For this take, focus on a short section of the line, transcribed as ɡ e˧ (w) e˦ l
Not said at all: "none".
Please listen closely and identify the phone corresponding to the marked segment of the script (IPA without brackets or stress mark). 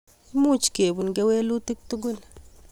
w